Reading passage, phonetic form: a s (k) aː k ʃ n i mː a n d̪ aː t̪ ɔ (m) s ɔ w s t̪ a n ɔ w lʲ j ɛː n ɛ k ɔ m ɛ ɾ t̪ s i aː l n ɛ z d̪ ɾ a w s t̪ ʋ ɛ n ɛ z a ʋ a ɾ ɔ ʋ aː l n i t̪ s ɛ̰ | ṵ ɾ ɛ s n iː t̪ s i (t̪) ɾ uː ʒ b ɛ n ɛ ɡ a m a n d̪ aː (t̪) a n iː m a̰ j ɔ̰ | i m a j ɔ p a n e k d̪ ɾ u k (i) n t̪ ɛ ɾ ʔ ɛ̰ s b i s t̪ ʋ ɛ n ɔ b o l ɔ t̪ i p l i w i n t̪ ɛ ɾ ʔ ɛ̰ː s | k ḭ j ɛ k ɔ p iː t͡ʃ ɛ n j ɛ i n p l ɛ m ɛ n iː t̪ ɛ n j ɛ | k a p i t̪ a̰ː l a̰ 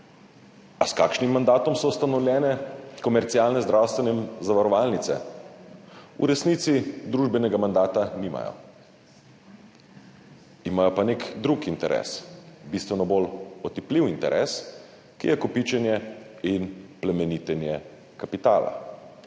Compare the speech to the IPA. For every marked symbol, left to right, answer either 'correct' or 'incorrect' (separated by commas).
correct, correct, incorrect, correct, correct